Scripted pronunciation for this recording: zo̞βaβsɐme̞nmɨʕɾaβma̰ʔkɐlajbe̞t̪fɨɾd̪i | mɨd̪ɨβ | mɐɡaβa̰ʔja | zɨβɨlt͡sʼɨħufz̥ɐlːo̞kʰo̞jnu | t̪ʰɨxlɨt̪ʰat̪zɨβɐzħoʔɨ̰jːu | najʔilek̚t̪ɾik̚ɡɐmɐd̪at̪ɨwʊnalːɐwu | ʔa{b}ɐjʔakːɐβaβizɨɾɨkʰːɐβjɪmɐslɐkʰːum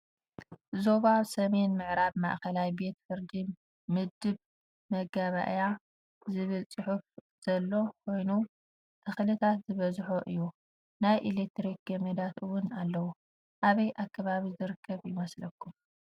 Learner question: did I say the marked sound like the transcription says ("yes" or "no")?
no